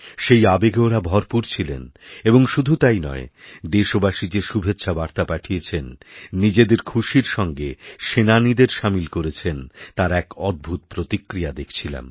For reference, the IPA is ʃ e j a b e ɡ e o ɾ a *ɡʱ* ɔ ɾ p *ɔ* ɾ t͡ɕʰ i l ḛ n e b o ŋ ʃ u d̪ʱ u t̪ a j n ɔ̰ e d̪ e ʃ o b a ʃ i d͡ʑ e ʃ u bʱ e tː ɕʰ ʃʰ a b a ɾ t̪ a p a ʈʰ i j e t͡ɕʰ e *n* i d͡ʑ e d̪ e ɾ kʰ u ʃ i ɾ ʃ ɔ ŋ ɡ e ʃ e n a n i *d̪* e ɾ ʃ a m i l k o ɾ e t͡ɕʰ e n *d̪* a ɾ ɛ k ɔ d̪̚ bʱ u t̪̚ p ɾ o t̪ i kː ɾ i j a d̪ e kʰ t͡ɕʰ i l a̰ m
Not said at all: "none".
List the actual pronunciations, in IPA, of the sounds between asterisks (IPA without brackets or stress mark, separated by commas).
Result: bʱ, u, nː, d̪, t̪